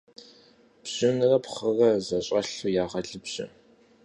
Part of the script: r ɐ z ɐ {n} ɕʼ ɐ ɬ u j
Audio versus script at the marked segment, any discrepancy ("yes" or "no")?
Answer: yes